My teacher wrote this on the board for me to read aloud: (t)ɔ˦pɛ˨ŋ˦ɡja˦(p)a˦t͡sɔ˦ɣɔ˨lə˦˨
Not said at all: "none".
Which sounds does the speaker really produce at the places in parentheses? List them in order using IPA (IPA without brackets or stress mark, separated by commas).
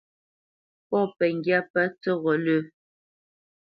p, p